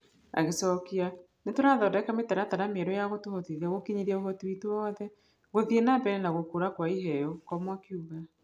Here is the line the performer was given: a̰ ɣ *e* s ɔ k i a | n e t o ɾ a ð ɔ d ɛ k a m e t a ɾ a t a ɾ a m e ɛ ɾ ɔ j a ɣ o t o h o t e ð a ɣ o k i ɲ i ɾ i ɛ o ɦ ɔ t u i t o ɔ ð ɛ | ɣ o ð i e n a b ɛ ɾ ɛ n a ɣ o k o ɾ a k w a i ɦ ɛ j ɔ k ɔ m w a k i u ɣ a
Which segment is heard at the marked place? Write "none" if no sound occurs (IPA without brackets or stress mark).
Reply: e